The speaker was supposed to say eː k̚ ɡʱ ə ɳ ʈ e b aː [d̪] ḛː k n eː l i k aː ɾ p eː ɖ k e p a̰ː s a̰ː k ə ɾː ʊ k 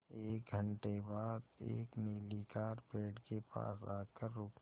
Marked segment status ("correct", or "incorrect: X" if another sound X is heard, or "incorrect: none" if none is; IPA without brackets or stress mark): correct